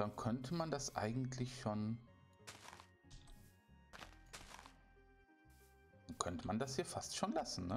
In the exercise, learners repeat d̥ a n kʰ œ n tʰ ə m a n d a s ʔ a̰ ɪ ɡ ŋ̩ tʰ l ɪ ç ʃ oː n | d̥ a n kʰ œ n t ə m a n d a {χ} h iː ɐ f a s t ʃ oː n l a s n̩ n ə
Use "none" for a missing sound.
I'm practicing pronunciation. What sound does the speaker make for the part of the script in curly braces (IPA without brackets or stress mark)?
s